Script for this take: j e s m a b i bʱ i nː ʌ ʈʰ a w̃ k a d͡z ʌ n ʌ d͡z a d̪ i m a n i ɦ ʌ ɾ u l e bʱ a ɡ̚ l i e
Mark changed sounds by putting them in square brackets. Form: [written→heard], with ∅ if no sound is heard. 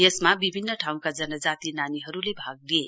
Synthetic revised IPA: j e s m a b i bʱ i nː ʌ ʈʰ a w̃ k a d͡z ʌ n ʌ d͡z a [d̪→t̪] i [m→n] a n i ɦ ʌ ɾ u l e bʱ a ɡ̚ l i e